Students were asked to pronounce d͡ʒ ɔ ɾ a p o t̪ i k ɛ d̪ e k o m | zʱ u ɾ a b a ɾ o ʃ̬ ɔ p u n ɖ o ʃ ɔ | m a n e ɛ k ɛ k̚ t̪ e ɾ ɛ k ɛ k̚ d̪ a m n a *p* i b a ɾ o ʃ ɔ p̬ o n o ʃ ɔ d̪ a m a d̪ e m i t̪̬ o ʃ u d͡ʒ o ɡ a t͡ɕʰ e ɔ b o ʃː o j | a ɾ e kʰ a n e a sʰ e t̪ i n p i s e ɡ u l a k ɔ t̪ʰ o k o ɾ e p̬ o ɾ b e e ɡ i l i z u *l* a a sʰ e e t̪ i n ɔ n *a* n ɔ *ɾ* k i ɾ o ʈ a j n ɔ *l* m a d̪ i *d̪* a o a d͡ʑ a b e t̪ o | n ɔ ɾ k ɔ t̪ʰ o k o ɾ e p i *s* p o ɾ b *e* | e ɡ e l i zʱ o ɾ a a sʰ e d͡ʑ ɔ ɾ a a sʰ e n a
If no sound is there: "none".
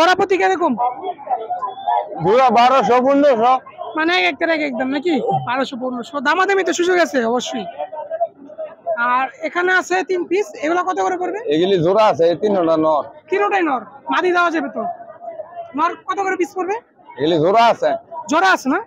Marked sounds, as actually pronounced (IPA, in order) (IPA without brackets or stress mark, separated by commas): k, ɾ, a, ɾ, ɾ, d̪, s, e